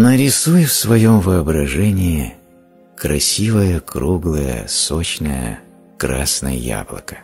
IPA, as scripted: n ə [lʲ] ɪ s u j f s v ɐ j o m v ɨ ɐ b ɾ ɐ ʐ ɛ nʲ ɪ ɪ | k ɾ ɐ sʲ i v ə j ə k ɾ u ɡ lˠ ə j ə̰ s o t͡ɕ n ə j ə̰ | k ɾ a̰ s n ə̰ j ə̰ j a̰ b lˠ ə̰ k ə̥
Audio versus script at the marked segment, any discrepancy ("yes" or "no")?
yes